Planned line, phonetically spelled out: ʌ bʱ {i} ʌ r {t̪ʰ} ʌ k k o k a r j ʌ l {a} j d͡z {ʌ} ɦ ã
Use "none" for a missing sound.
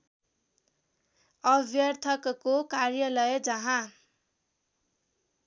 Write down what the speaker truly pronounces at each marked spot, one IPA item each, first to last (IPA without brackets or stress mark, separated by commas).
j, t̪ʰ, ʌ, ʌ